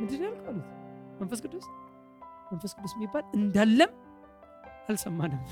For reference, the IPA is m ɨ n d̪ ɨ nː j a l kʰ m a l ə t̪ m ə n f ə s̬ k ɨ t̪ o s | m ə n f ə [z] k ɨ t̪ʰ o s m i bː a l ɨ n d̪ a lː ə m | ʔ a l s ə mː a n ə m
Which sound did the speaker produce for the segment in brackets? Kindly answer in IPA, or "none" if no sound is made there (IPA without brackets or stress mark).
s